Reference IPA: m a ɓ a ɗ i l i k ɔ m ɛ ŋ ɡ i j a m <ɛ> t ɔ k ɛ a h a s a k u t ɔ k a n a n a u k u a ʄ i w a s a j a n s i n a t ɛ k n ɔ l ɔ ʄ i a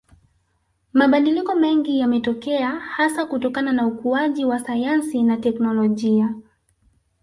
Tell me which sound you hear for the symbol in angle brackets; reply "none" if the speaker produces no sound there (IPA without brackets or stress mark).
ɛ